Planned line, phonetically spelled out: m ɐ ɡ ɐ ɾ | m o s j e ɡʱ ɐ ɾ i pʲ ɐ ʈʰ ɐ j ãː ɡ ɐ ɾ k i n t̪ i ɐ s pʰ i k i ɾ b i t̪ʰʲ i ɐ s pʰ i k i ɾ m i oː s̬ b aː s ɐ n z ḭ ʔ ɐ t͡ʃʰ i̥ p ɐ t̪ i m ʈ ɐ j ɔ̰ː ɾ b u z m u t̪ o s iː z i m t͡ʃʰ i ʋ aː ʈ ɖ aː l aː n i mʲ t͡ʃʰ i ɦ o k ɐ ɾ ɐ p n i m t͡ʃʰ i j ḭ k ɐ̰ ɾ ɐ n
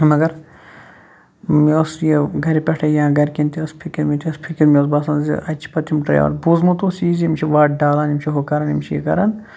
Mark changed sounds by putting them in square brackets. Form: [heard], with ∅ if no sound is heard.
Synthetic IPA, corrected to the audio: m ɐ ɡ ɐ ɾ | m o s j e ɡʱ ɐ ɾ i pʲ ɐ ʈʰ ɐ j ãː ɡ ɐ ɾ k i n t̪ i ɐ s pʰ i k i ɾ [m] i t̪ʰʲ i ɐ s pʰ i k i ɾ m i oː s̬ b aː s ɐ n z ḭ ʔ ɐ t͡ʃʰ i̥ p ɐ t̪ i m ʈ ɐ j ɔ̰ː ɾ b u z m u t̪ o s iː z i m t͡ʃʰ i ʋ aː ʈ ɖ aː l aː n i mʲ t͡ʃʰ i ɦ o k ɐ ɾ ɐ [∅] n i m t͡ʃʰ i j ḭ k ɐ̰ ɾ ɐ n